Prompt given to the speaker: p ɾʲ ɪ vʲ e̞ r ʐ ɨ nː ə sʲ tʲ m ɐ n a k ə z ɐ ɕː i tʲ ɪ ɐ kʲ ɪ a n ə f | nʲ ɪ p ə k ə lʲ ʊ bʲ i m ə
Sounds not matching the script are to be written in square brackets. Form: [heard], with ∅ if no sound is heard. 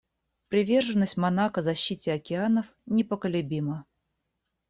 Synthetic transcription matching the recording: p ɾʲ ɪ vʲ e̞ r ʐ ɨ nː ə sʲ tʲ m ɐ n a k ə z ɐ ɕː i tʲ ɪ ɐ kʲ ɪ a n ə f | nʲ ɪ p ə k ə lʲ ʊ bʲ i m ə